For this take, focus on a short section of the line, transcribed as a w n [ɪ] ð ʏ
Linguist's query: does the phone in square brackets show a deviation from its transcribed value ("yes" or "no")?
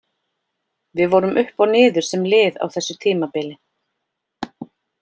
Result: yes